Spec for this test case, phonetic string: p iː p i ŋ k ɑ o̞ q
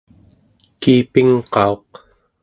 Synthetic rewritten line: k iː p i ŋ q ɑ o̞ q